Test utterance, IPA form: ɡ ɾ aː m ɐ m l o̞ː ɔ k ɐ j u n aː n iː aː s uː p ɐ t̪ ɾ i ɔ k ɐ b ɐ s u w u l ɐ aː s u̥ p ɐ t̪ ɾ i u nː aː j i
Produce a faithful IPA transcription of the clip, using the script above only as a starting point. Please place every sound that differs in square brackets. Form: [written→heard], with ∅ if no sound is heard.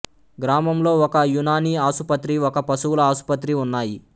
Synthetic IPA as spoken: ɡ ɾ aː m ɐ m l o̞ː ɔ k ɐ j u n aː n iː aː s [uː→u] p ɐ t̪ ɾ i ɔ k ɐ [b→p] ɐ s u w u l ɐ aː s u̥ p ɐ t̪ ɾ i u nː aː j i